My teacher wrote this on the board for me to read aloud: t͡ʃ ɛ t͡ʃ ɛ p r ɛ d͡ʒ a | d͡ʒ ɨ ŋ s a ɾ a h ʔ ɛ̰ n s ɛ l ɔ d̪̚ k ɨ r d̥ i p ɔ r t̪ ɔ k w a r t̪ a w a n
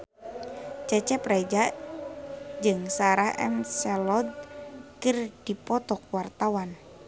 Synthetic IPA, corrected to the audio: t͡ʃ ɛ t͡ʃ ɛ p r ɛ d͡ʒ a | d͡ʒ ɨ ŋ s a ɾ a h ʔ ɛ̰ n s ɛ l ɔ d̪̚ k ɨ r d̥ i p ɔ t̪ ɔ k w a r t̪ a w a n